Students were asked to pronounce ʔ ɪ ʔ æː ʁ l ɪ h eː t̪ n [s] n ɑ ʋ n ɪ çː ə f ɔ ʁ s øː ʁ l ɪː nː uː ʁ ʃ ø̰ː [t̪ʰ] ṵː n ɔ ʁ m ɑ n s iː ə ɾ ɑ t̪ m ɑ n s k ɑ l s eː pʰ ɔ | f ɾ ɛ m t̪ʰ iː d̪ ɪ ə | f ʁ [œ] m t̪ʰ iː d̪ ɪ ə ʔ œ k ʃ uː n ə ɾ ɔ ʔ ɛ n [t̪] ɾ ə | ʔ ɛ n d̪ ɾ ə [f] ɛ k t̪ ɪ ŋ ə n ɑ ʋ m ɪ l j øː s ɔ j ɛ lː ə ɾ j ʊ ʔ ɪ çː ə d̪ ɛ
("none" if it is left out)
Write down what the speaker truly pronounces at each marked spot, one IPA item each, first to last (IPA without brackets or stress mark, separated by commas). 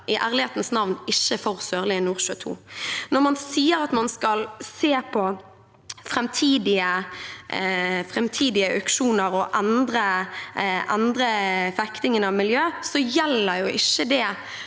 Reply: s, t̪ʰ, ɛ, d̪, f